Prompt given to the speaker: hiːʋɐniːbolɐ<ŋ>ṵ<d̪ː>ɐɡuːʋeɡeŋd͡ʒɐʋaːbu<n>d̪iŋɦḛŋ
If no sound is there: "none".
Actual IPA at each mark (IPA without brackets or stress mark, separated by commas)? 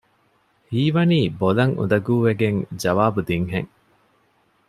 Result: ŋ, d̪, none